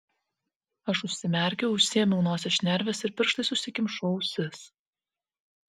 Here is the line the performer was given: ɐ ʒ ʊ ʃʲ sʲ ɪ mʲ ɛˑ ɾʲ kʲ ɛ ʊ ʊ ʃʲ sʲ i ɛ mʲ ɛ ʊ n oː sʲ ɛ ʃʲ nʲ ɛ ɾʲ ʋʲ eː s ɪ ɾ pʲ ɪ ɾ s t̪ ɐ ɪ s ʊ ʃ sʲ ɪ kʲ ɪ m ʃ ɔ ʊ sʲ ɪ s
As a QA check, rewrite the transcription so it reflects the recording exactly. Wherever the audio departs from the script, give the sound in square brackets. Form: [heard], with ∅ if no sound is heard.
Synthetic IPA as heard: ɐ [ʃ] ʊ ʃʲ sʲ ɪ mʲ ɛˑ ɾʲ kʲ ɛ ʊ ʊ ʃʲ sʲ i ɛ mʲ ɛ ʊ n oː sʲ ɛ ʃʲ nʲ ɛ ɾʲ ʋʲ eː s ɪ ɾ pʲ ɪ ɾ [ʃ] t̪ ɐ ɪ s ʊ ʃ sʲ ɪ kʲ ɪ m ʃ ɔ ʊ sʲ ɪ s